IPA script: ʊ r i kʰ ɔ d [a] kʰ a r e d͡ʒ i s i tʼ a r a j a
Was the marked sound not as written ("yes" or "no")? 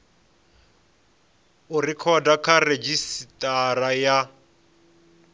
no